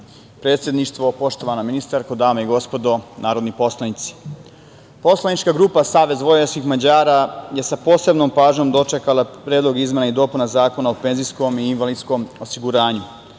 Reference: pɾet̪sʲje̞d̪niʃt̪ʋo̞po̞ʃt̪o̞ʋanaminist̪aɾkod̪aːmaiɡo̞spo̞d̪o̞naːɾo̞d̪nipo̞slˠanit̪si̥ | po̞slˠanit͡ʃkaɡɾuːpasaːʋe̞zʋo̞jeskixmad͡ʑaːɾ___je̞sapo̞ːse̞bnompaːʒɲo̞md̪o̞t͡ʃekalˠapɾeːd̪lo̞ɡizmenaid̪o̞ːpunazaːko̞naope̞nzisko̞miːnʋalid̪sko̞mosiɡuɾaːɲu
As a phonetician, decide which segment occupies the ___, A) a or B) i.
A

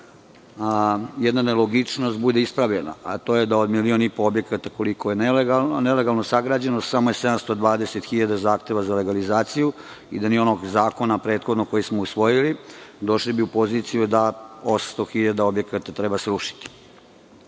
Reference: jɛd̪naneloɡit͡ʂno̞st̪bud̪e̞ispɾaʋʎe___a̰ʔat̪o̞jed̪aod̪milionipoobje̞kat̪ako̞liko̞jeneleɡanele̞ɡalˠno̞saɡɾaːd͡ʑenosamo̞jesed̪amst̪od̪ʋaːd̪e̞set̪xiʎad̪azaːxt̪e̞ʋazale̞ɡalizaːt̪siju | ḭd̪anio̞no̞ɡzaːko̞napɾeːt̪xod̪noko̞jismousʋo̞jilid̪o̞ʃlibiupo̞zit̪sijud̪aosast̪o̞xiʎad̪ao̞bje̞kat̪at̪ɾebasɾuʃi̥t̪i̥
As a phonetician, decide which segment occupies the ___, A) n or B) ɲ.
A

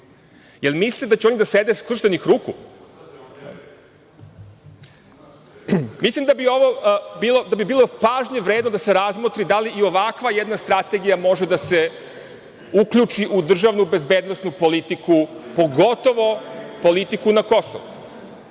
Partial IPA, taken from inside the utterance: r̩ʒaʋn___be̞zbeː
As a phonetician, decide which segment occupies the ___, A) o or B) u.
B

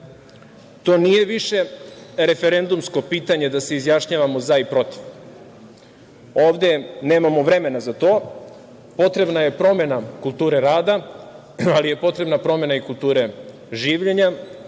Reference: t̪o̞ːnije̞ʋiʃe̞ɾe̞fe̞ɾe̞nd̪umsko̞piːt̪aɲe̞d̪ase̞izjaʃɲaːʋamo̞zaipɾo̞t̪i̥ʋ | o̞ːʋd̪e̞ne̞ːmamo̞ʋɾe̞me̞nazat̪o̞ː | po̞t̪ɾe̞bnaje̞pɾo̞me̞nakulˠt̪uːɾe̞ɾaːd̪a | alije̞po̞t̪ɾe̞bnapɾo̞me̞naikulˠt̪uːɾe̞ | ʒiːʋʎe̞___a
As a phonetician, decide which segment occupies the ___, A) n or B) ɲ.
B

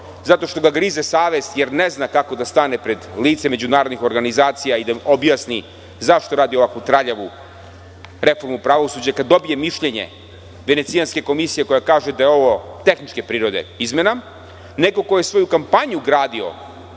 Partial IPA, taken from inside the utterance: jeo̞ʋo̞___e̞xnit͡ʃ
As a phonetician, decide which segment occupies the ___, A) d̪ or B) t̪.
B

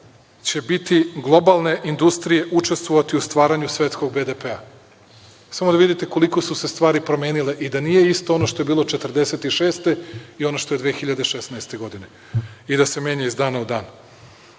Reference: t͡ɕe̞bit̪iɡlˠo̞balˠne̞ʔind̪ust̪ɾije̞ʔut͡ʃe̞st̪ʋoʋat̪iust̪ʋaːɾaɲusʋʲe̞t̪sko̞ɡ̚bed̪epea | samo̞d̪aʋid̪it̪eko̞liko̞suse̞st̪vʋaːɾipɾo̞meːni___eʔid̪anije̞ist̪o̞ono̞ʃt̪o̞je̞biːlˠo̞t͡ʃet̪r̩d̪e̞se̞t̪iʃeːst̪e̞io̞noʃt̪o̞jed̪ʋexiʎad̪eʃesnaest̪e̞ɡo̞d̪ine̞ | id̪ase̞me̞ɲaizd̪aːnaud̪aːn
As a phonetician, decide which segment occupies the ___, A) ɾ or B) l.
B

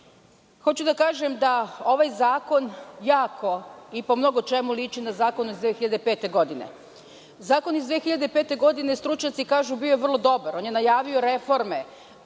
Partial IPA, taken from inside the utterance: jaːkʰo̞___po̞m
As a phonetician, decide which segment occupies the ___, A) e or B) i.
B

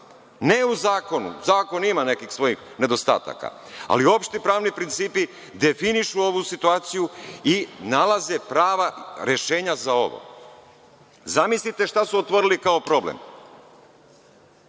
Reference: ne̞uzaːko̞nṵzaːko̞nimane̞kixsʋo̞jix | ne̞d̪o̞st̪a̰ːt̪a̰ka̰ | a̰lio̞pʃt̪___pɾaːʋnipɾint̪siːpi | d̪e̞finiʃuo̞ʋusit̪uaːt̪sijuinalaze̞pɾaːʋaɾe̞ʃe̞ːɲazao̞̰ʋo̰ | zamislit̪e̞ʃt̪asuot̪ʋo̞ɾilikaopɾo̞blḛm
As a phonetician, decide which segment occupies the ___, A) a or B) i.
B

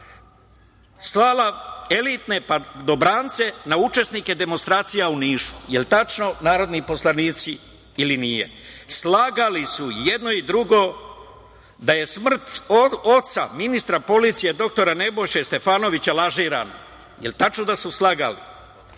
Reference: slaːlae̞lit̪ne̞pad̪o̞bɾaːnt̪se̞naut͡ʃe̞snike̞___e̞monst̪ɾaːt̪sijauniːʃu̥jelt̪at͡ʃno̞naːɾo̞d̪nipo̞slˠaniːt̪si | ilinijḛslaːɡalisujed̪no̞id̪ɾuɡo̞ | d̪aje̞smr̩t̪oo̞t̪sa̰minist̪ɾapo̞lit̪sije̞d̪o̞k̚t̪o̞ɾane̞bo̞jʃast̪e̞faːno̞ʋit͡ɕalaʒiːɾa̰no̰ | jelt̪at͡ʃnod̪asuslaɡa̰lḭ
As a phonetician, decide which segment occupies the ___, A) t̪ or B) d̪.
B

